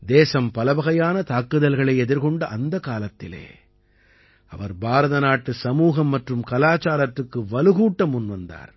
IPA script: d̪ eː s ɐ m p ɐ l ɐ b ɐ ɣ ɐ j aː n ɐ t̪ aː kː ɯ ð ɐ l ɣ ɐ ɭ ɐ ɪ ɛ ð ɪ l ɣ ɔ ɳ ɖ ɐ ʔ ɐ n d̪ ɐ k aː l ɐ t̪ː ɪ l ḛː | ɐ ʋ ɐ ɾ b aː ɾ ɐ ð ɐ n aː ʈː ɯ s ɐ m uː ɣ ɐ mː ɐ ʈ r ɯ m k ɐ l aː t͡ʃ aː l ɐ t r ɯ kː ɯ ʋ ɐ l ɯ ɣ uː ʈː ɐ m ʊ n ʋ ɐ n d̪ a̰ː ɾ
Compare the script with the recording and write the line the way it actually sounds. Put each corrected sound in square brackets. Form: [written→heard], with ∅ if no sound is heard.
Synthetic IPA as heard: d̪ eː s ɐ m p ɐ l ɐ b ɐ ɣ ɐ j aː n ɐ t̪ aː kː ɯ ð ɐ l ɣ ɐ ɭ ɐ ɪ ɛ ð ɪ [l→ɾ] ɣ ɔ ɳ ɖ ɐ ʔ ɐ n d̪ ɐ k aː l ɐ t̪ː ɪ l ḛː | ɐ ʋ ɐ ɾ b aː ɾ ɐ ð ɐ n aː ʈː ɯ s ɐ m uː ɣ ɐ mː ɐ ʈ r ɯ m k ɐ l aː t͡ʃ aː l ɐ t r ɯ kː ɯ ʋ ɐ l ɯ ɣ uː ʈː ɐ m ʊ n ʋ ɐ n d̪ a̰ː ɾ